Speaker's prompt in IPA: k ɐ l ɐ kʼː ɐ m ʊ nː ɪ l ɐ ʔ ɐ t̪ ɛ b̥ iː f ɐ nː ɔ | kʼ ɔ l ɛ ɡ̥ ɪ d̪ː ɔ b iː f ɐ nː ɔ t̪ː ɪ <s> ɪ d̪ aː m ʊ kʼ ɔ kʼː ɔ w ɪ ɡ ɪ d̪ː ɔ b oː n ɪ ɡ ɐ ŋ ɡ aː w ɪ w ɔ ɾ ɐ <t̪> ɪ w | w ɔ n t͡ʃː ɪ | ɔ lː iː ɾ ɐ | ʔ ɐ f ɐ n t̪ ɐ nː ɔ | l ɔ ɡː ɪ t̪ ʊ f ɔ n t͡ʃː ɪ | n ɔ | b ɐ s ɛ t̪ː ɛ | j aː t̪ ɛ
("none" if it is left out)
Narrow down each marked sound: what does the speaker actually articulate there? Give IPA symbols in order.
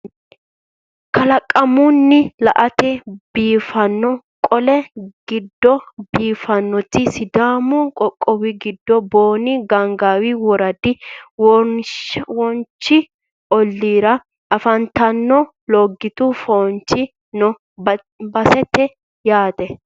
s, d̪

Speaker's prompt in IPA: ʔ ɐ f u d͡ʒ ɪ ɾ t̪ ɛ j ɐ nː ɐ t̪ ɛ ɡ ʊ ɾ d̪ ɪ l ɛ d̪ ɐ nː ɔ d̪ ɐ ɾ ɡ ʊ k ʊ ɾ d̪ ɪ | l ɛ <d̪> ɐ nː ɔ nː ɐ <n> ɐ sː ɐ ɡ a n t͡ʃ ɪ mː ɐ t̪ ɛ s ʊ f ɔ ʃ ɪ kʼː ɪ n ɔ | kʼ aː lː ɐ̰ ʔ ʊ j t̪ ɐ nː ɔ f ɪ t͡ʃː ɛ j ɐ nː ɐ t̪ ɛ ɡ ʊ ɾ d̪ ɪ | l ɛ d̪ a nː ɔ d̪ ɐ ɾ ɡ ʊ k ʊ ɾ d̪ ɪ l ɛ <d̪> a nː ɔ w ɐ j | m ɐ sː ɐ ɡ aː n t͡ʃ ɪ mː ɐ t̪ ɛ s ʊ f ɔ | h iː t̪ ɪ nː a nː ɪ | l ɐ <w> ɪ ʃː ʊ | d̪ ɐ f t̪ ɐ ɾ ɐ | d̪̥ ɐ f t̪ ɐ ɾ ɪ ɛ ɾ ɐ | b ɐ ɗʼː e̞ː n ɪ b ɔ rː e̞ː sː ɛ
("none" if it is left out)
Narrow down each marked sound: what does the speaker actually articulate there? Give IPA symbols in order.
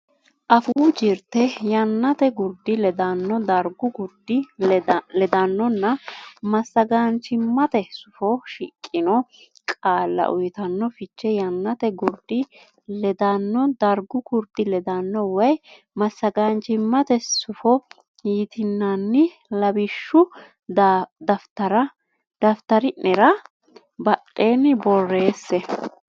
d̪, m, d̪, b

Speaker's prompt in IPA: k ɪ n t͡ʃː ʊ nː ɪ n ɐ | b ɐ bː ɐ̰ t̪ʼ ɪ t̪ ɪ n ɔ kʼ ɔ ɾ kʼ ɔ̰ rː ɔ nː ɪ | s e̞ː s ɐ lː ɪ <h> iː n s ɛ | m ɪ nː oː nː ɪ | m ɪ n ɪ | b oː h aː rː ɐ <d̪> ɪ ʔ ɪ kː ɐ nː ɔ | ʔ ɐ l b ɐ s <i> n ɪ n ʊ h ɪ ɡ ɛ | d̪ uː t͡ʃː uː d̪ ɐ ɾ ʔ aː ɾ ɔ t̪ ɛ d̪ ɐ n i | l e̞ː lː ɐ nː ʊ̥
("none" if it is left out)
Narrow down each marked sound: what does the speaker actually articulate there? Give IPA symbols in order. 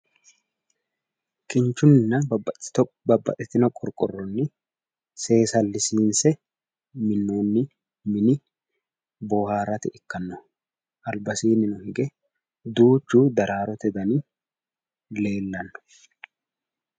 s, t̪, iː

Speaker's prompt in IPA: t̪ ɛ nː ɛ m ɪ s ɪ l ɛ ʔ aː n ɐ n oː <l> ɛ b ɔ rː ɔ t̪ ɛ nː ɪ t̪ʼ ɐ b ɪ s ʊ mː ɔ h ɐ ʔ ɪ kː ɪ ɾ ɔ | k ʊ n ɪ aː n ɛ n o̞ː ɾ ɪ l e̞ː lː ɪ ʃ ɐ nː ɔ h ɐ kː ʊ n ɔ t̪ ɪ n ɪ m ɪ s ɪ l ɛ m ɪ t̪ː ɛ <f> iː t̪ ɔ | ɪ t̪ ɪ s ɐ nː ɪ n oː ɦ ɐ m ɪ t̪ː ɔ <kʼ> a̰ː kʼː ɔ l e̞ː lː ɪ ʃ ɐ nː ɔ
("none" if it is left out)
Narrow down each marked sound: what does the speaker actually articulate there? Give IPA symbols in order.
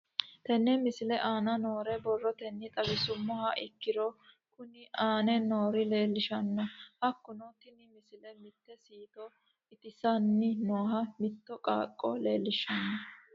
ɾ, s, kʼ

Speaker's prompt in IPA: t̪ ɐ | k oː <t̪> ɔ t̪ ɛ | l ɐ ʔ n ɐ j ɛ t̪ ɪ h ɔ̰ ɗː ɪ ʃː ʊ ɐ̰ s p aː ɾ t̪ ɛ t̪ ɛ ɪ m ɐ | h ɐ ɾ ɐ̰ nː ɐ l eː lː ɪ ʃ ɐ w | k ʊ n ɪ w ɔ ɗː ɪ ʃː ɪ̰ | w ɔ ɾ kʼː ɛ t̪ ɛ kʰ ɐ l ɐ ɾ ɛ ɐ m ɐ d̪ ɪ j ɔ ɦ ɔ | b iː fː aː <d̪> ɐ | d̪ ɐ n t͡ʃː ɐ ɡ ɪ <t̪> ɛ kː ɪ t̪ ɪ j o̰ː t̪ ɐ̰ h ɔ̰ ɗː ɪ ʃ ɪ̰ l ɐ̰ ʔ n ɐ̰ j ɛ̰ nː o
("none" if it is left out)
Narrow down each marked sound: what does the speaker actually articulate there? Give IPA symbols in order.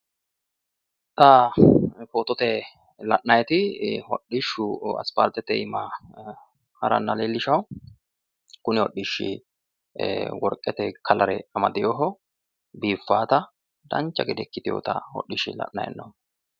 t̪, t̪, d̪

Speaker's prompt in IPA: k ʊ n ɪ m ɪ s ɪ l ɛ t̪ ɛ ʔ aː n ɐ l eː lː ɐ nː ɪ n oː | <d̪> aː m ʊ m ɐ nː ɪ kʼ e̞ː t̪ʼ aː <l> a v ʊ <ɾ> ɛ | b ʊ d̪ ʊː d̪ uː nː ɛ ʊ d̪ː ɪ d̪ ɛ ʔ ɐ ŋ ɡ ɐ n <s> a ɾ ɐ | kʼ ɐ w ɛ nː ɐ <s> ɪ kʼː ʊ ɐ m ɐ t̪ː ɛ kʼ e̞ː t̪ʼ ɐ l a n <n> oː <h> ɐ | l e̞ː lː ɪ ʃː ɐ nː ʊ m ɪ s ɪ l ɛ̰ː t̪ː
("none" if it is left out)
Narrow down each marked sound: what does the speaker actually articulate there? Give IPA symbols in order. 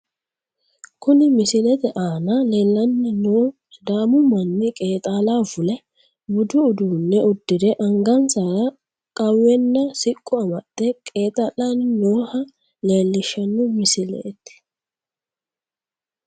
d̪, l, l, s, s, n, h

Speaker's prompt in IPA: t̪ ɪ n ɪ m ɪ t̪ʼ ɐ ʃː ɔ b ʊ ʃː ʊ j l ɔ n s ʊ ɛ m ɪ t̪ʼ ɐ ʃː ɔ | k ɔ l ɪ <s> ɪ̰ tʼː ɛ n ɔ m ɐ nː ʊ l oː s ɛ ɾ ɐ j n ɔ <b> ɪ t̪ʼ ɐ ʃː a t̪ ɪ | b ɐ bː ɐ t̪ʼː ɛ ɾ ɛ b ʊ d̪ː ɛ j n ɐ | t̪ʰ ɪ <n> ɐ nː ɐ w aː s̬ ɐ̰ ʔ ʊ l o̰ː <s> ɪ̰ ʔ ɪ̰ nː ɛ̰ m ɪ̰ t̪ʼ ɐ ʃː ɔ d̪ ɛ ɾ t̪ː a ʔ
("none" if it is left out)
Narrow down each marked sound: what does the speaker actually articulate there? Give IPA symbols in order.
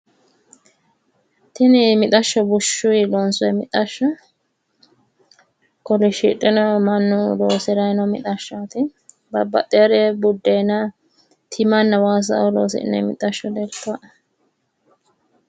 ʃ, m, m, s

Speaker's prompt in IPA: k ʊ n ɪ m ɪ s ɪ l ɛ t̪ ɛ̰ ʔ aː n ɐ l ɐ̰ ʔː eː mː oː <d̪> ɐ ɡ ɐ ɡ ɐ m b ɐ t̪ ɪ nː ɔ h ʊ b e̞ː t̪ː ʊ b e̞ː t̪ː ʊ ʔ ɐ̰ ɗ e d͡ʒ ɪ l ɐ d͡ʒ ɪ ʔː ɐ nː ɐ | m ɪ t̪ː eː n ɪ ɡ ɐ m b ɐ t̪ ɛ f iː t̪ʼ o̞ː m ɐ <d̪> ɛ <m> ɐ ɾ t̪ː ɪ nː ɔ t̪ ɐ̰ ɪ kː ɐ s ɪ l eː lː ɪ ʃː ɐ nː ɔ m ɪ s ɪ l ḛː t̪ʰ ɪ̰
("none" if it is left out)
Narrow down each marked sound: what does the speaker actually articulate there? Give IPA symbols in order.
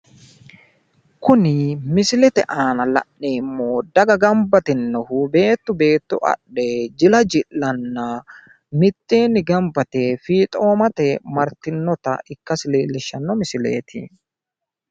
d̪, t̪, m

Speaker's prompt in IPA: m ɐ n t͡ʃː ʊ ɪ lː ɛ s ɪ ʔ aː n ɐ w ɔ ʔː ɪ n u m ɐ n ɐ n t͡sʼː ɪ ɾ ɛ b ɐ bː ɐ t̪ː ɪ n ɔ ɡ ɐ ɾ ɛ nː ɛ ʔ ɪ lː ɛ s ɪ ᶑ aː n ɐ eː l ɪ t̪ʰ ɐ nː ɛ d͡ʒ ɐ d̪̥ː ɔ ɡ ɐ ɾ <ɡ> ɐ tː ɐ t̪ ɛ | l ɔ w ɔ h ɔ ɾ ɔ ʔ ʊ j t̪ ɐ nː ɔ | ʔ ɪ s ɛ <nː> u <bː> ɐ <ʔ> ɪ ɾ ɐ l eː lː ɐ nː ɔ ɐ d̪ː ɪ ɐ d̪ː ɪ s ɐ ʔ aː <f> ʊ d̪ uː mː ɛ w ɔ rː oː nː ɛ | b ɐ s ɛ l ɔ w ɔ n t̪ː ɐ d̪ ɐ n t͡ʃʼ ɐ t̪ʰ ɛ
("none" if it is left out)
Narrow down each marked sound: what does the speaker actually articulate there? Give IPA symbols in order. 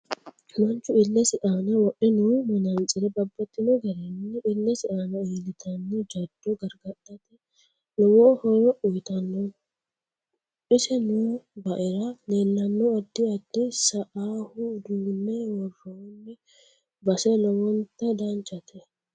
ɡ, n, b, ʔ, h

